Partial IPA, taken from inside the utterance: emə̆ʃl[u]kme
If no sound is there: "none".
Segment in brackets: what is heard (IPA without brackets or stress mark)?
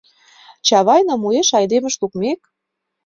u